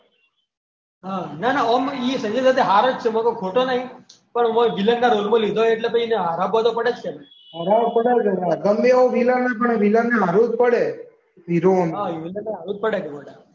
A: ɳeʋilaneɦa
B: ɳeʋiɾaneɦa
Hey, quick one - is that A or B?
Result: A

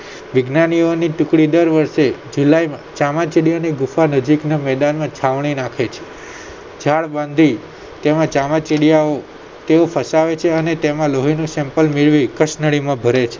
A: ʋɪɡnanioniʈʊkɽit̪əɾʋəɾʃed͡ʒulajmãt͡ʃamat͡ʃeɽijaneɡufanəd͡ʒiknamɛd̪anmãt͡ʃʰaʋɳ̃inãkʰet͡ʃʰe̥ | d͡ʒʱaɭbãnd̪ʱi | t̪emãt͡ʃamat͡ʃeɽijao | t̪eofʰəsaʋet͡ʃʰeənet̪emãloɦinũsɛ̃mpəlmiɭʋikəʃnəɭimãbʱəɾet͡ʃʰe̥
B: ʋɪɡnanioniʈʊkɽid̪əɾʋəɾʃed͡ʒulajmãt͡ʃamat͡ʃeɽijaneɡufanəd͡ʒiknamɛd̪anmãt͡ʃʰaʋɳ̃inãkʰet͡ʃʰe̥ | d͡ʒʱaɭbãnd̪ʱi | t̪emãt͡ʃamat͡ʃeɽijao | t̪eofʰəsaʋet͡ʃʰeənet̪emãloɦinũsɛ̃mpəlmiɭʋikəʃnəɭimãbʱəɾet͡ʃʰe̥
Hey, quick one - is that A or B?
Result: B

